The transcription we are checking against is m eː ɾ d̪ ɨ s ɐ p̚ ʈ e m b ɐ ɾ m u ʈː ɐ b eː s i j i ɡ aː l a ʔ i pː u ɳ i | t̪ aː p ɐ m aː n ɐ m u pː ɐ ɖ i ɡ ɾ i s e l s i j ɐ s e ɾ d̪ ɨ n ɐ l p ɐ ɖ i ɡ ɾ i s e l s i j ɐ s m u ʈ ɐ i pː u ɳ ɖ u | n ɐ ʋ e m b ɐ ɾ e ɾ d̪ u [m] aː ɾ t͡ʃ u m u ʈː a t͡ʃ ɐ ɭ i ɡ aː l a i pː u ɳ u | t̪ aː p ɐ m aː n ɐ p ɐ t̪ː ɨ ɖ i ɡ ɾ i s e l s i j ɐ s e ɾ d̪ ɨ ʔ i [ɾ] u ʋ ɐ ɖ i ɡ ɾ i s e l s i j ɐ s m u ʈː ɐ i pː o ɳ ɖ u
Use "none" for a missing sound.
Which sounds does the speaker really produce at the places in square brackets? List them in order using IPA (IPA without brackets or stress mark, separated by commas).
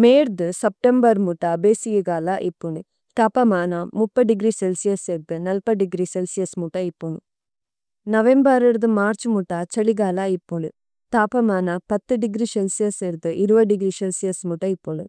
m, ɾ